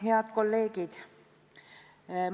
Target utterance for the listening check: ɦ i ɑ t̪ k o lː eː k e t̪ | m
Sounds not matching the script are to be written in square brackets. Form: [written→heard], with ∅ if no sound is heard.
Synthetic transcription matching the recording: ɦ [i→e] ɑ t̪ k o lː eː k [e→i] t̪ | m

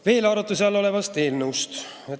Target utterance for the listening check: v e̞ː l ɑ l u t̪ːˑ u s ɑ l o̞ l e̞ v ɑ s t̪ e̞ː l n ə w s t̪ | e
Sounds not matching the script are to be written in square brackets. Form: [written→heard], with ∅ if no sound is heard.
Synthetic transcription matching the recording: v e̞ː l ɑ [l→ɾ] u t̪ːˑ u s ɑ l o̞ l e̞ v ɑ s t̪ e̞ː l n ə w s t̪ | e

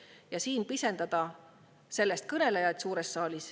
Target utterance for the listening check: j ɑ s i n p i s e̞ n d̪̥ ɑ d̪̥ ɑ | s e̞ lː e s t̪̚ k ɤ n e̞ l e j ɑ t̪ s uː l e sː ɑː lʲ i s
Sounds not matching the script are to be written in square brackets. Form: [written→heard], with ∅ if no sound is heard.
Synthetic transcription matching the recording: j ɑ s [i→iː] n p i s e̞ n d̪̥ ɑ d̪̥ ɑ | s e̞ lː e s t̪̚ k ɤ n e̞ l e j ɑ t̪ s uː [l→ɾ] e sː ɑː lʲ i s

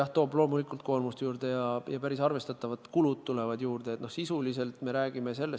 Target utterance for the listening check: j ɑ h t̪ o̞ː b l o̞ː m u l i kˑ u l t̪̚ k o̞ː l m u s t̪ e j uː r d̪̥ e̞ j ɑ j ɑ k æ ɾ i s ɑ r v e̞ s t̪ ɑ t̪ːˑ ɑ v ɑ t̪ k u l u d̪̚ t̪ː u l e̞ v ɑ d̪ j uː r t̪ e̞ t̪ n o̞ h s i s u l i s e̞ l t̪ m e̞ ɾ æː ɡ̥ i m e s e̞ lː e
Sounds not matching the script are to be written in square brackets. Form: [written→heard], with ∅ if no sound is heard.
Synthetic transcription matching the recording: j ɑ h t̪ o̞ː b l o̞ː m u l i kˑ u l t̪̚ k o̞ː l m u s t̪ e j uː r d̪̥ e̞ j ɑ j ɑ [k→p] æ ɾ i s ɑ r v e̞ s t̪ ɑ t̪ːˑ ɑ v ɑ t̪ k u l u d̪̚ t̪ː u l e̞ v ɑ d̪ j uː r [t̪→d̪] e̞ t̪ n o̞ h s i s u l i s e̞ l t̪ m e̞ ɾ æː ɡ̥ i m e s e̞ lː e

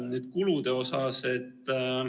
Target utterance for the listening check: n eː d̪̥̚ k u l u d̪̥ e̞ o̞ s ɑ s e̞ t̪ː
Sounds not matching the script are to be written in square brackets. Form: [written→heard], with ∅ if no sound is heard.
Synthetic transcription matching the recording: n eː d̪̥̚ k u l u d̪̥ e̞ o̞ s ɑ s e̞ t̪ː

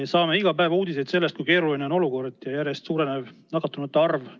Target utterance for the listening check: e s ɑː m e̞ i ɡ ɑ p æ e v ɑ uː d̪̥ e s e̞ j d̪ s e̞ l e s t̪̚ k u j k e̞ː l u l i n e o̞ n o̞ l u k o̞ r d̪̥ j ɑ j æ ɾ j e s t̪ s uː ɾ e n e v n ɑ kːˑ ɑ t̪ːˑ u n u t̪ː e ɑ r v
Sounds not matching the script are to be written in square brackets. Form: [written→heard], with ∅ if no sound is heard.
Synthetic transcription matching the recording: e s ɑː m e̞ i ɡ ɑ p æ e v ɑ uː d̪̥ [e→i] s e̞ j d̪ s e̞ [l→lː] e s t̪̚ k u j k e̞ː [l→ɾ] u l i n e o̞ n o̞ l u k o̞ r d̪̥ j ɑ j æ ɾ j e s t̪ s uː ɾ e n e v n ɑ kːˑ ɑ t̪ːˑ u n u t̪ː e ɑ r v

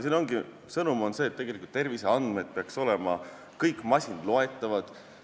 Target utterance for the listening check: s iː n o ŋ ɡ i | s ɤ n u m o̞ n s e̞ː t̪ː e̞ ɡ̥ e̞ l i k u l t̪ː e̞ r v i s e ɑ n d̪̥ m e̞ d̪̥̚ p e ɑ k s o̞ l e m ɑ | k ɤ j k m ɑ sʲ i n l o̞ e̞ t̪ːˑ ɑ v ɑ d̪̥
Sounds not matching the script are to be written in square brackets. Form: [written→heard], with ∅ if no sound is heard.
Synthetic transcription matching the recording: s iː n o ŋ ɡ i | s ɤ n u m o̞ n s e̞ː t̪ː e̞ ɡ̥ e̞ l i k u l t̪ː e̞ r v i s e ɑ n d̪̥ m e̞ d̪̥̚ p e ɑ k s o̞ l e m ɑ | k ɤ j k m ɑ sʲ i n l o̞ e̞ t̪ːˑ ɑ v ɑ d̪̥

